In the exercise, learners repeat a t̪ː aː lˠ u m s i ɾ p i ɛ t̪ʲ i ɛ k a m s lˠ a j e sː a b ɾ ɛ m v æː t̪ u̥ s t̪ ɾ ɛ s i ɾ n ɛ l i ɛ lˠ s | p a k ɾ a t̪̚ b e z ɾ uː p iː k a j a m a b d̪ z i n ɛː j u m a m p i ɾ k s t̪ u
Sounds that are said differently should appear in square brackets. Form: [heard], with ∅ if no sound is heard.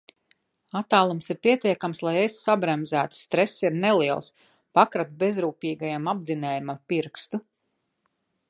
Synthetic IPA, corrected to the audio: a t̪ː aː lˠ u m s i ɾ p i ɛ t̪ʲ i ɛ k a m s lˠ a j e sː a b ɾ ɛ m [z] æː t̪ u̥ s t̪ ɾ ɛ s i ɾ n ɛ l i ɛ lˠ s | p a k ɾ a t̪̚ b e z ɾ uː p iː [ɡ] a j a m a b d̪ z i n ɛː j u m a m p i ɾ k s t̪ u